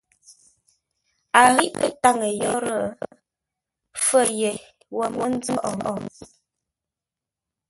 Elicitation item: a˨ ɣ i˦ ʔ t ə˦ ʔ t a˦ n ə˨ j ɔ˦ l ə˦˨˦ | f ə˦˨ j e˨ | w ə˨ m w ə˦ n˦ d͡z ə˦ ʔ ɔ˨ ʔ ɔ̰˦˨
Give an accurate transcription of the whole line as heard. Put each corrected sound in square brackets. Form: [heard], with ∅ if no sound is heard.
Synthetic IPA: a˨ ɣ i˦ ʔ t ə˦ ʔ t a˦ [ŋ] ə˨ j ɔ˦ [ɾ] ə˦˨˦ | f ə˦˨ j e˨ | w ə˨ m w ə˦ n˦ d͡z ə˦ ʔ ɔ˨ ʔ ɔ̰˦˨